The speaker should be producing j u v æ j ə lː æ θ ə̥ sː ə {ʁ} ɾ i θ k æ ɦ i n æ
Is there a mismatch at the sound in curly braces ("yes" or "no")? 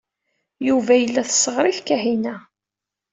no